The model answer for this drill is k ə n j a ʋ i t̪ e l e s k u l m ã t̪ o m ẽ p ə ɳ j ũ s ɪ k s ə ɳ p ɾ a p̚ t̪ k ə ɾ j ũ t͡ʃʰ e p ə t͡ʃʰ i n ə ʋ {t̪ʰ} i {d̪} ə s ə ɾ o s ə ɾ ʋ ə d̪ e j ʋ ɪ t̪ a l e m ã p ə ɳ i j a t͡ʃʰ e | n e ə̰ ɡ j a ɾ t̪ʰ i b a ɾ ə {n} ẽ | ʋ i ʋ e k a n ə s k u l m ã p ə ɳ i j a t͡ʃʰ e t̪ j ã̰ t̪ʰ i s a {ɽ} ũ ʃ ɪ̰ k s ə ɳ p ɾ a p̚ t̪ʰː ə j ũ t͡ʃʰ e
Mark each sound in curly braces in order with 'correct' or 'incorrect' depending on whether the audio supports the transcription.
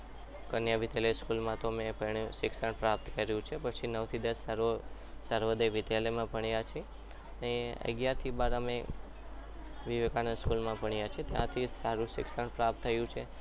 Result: correct, correct, incorrect, incorrect

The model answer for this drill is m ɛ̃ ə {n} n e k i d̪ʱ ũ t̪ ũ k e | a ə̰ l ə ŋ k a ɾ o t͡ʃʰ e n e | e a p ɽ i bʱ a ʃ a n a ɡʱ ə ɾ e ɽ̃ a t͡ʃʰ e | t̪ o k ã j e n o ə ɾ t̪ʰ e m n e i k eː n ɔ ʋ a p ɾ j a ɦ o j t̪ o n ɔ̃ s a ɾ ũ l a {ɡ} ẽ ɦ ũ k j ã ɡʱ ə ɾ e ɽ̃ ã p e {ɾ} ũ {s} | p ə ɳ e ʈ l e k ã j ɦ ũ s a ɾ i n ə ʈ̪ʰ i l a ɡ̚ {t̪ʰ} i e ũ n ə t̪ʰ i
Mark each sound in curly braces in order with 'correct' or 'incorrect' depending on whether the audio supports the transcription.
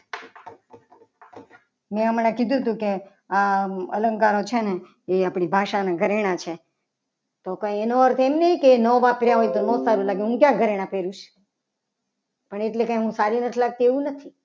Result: incorrect, correct, correct, incorrect, incorrect

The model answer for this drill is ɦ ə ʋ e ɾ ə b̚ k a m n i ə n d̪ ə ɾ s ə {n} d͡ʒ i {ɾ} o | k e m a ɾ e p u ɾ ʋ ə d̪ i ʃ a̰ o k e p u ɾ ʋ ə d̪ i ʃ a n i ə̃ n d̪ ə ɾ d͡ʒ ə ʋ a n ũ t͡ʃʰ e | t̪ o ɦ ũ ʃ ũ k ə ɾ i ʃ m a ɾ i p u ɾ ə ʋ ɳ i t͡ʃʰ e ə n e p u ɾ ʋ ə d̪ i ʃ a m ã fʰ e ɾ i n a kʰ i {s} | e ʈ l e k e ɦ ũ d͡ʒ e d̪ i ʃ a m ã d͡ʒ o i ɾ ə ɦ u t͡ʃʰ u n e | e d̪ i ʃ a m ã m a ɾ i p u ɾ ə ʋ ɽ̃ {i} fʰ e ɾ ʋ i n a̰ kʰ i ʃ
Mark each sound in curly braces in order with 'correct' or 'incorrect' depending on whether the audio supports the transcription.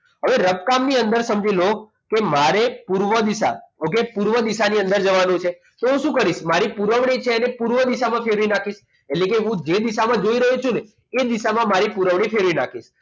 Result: incorrect, incorrect, incorrect, correct

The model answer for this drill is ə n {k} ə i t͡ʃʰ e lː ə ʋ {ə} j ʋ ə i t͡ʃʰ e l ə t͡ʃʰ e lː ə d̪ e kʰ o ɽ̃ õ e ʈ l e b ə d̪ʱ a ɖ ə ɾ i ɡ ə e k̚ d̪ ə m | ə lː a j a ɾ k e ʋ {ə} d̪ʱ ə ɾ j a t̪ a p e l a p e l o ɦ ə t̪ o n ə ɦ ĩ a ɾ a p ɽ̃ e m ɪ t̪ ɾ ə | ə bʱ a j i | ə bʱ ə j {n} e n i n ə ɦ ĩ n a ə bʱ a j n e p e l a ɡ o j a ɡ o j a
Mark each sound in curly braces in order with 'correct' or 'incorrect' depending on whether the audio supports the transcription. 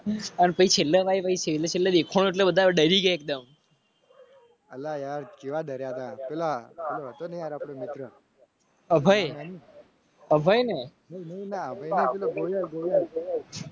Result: incorrect, incorrect, incorrect, correct

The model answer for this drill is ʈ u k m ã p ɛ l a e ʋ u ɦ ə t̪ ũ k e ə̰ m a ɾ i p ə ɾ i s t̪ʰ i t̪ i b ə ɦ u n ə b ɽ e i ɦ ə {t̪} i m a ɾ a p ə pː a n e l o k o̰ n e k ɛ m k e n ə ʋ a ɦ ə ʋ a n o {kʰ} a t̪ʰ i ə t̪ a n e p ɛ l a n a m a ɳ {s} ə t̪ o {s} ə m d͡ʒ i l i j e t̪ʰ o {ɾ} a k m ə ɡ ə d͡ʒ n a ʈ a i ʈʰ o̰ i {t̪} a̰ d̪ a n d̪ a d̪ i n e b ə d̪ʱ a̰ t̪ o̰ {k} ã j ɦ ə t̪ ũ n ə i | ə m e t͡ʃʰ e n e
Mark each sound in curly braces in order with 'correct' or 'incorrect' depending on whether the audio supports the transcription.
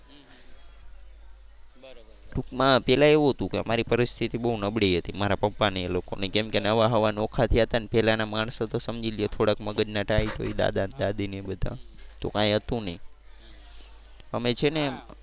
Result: correct, correct, correct, correct, incorrect, incorrect, correct

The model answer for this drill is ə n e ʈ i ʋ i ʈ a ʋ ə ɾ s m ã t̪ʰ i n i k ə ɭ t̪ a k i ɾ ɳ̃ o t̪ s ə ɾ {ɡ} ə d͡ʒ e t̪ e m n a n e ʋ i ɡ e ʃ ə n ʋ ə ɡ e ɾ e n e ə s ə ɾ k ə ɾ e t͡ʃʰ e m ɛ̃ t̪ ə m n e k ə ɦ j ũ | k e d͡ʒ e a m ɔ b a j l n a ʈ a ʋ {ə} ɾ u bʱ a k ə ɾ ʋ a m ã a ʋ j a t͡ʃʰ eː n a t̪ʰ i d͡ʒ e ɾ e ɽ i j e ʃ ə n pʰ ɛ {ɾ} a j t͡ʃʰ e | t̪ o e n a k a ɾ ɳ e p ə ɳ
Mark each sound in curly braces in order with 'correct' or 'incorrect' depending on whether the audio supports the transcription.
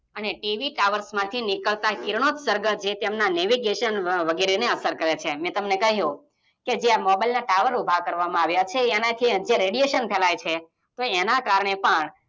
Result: correct, correct, incorrect

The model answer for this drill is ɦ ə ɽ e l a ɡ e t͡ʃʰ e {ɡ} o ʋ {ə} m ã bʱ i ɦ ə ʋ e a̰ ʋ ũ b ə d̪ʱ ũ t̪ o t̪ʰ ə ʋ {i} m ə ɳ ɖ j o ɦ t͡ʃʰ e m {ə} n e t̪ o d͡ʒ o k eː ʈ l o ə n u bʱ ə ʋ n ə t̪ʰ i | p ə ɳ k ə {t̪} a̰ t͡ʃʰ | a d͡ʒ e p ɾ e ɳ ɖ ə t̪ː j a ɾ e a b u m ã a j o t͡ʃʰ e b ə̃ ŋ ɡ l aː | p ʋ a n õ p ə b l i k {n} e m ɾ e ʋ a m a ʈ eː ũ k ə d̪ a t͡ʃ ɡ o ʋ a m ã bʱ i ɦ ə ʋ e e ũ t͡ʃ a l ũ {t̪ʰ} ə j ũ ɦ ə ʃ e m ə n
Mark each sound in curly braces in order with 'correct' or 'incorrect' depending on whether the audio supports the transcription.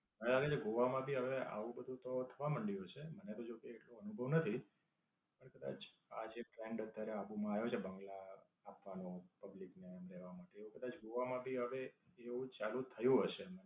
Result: correct, incorrect, incorrect, correct, incorrect, correct, correct

